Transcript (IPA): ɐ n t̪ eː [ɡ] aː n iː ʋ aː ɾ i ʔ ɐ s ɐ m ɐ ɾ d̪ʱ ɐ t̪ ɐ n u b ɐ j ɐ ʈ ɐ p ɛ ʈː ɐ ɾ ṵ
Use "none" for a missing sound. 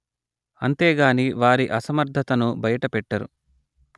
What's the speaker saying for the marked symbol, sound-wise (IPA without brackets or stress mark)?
ɡ